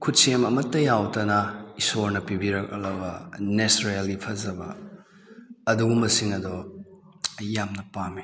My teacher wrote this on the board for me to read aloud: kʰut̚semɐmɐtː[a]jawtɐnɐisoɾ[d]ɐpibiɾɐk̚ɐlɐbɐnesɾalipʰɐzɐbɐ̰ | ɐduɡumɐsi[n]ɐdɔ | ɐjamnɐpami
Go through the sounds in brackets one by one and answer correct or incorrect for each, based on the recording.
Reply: incorrect, incorrect, incorrect

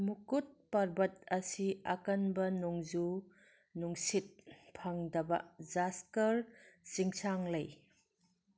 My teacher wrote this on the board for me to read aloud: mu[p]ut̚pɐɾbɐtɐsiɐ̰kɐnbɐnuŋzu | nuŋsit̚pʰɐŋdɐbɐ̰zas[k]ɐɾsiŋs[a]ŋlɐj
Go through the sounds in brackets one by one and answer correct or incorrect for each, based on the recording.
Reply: incorrect, correct, correct

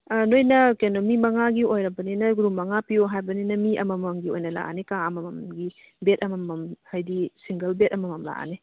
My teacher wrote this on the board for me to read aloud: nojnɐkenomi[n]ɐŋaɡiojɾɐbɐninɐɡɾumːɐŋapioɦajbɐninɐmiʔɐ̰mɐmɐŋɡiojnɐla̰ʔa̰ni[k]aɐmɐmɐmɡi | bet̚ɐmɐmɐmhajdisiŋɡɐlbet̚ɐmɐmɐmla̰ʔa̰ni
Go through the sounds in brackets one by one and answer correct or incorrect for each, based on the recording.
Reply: incorrect, correct

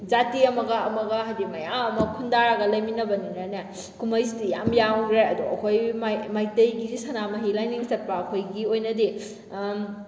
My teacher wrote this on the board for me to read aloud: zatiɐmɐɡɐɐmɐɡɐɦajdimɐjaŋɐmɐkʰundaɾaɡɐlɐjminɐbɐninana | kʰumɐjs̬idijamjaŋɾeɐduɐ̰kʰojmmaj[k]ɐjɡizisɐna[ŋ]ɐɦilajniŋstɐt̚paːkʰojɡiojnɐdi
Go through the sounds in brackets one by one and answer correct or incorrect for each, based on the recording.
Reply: incorrect, incorrect

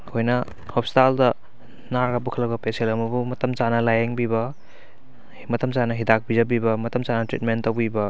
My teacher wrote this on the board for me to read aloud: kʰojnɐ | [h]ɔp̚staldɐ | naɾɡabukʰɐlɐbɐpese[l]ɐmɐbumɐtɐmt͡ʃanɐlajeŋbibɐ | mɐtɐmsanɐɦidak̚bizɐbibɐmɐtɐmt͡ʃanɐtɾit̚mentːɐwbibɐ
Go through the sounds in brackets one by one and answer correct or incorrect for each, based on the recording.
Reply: correct, correct

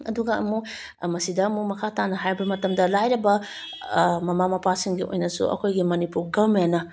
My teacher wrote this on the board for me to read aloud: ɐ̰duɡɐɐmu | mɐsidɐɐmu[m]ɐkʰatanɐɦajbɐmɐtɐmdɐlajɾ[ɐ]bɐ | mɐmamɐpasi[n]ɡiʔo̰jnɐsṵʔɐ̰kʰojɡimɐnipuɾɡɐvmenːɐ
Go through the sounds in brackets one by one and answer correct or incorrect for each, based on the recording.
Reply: correct, correct, incorrect

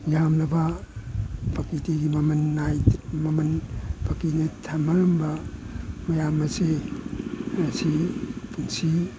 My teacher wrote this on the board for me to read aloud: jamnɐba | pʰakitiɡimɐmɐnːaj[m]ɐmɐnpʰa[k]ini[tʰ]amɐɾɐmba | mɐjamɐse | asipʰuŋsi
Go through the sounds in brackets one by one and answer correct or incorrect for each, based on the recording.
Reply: correct, correct, correct

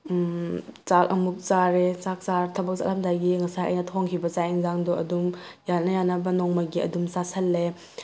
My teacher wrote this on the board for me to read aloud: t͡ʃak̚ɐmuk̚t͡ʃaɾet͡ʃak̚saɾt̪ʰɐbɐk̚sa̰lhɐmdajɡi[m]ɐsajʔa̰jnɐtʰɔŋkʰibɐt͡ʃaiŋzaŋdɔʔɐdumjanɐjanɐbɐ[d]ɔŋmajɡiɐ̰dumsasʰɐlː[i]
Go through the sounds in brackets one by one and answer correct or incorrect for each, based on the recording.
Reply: incorrect, incorrect, incorrect

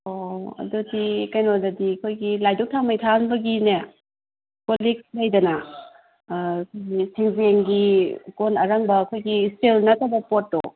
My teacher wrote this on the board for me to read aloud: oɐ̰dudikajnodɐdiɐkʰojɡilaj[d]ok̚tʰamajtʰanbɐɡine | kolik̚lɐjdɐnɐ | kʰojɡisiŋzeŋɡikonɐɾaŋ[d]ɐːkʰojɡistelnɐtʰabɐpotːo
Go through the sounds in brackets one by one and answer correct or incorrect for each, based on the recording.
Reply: correct, incorrect

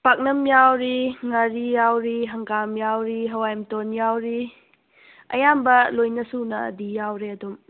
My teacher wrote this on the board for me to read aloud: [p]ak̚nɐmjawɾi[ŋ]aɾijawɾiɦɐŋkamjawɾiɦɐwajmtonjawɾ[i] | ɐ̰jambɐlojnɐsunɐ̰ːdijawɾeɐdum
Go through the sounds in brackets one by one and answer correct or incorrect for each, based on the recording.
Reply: correct, correct, correct

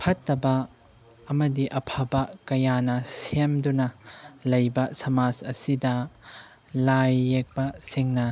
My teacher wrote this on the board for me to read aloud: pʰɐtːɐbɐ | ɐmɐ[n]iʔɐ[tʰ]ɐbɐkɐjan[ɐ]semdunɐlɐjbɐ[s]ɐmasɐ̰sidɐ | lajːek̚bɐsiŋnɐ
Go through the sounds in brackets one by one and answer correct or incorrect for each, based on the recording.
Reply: incorrect, incorrect, correct, correct

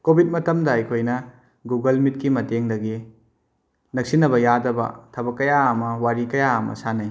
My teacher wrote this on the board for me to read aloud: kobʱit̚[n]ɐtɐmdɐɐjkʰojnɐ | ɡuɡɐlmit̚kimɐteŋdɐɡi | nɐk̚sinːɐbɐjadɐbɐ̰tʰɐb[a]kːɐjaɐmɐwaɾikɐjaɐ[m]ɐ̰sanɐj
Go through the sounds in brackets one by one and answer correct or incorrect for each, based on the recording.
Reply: incorrect, incorrect, correct

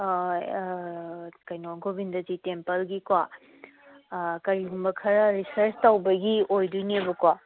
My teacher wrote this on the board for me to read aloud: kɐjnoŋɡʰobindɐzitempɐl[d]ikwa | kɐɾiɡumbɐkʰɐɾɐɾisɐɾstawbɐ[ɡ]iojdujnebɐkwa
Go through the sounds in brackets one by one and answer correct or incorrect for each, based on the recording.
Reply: incorrect, correct

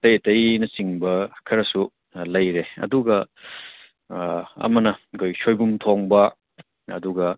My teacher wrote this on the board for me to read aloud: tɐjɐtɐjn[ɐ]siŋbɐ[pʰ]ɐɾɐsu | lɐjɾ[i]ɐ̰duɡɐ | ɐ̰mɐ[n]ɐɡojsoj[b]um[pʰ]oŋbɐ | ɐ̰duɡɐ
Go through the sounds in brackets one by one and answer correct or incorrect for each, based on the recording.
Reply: correct, incorrect, incorrect, correct, correct, incorrect

